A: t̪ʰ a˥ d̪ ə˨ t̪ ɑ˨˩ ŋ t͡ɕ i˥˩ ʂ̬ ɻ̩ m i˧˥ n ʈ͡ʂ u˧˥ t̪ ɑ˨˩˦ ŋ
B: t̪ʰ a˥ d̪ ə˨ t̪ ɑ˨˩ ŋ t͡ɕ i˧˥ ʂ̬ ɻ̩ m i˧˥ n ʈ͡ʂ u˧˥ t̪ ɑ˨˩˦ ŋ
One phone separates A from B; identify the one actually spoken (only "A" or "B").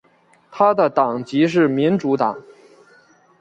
B